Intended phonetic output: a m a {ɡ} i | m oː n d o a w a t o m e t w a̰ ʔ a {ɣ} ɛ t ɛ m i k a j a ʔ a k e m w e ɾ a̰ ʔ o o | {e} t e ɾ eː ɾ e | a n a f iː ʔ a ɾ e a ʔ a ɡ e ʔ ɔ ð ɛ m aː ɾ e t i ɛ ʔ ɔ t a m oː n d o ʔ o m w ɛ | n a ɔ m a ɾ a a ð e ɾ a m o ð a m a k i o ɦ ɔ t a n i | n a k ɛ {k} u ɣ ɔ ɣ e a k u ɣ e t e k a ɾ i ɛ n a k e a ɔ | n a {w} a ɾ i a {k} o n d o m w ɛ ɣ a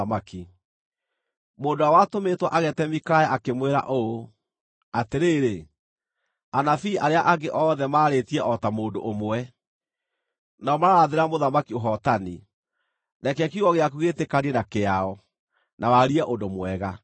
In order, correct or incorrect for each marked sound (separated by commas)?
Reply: incorrect, correct, incorrect, correct, correct, incorrect